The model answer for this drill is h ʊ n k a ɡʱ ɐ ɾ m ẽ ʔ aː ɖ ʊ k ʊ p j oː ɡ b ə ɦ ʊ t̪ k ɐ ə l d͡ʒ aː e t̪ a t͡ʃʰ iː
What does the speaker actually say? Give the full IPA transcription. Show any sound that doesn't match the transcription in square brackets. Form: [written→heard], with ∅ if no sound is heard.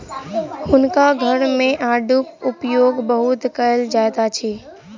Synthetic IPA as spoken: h ʊ n k a ɡʱ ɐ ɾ m ẽ ʔ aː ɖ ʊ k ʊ p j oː ɡ b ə ɦ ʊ t̪ k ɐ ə l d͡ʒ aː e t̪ a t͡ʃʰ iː